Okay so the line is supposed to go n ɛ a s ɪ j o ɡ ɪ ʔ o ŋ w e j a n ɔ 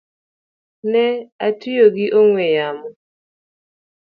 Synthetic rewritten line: n ɛ a t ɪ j o ɡ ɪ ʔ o ŋ w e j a m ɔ